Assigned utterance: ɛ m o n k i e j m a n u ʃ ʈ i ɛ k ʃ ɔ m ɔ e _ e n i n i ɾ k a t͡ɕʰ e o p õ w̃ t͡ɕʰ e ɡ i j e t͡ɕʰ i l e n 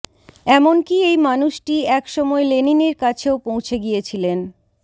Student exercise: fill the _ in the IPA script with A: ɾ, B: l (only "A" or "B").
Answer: B